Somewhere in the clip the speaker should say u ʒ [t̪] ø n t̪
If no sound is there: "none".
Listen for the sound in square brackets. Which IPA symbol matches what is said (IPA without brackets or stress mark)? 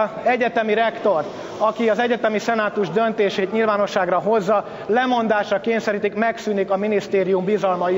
d̪